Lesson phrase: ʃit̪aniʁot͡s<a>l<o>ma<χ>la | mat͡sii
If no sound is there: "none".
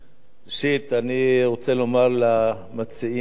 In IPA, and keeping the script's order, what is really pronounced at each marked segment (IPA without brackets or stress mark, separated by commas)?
e, o, ʁ